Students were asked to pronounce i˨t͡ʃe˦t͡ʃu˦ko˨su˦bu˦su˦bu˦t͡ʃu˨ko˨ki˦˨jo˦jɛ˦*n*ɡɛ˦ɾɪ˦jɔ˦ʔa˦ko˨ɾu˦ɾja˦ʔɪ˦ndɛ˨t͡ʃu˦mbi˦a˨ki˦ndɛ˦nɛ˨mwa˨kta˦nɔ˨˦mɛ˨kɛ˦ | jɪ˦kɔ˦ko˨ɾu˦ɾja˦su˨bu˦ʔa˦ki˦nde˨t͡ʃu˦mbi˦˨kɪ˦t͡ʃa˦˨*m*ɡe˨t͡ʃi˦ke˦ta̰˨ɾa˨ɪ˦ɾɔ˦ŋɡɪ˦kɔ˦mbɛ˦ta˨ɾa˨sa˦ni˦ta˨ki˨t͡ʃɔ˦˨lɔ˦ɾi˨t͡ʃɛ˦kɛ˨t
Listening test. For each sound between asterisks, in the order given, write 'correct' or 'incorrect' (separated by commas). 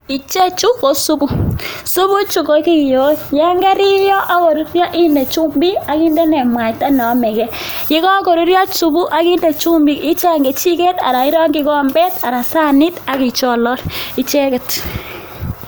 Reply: incorrect, incorrect